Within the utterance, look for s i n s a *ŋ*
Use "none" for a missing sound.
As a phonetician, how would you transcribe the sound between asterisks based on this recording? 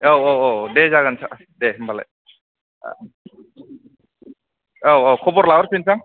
ŋ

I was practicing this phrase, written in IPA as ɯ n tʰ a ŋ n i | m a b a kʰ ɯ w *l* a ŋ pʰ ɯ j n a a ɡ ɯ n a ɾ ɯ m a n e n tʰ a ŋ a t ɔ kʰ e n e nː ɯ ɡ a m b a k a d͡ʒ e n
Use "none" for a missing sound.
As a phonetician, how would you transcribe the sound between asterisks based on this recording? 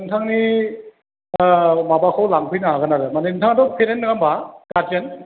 l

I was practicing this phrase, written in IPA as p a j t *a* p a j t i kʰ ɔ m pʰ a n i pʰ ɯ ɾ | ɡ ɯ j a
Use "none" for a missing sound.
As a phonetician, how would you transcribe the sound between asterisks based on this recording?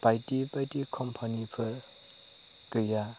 i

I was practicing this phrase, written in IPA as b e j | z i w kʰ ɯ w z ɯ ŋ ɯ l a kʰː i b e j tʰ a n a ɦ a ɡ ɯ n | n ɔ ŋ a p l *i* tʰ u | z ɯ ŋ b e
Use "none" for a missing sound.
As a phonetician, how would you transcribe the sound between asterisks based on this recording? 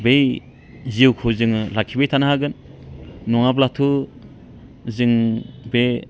a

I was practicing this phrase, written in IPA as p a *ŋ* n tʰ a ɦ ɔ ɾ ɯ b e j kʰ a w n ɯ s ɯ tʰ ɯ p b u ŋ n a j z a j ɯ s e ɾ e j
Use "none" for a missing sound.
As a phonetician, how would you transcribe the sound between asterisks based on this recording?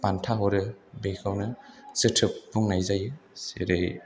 none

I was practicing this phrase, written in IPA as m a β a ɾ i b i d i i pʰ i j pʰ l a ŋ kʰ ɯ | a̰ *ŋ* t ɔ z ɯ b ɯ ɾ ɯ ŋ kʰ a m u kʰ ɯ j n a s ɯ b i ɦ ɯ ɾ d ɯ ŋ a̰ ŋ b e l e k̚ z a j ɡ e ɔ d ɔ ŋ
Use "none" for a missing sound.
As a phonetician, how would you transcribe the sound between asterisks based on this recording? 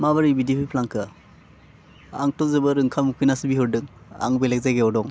ŋ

